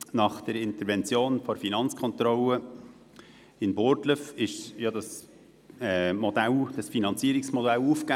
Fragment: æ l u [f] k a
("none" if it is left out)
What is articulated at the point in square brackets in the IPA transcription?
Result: f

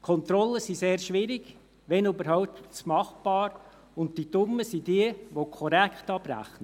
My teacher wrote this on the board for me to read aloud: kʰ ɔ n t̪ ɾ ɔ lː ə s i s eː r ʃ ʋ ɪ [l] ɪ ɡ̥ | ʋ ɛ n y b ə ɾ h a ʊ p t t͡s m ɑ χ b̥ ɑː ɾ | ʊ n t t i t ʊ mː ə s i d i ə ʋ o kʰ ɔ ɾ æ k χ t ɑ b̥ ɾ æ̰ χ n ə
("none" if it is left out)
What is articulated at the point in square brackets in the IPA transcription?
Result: ɾ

